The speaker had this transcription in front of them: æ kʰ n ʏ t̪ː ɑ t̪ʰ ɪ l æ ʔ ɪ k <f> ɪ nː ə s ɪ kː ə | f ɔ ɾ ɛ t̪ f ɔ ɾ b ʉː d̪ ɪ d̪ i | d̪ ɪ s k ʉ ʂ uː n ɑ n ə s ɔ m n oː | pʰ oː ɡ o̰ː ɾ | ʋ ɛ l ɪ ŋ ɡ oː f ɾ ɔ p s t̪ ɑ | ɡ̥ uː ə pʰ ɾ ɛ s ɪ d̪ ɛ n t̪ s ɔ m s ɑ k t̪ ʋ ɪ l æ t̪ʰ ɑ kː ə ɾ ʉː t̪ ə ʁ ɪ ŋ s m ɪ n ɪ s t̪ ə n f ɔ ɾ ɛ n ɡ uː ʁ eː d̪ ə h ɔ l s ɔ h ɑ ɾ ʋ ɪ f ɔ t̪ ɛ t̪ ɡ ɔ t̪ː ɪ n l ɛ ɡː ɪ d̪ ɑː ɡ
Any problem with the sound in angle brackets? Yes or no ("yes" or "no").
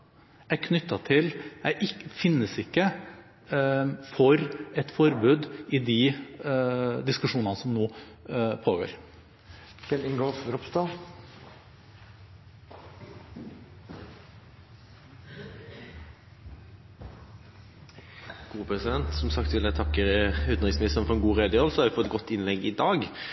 no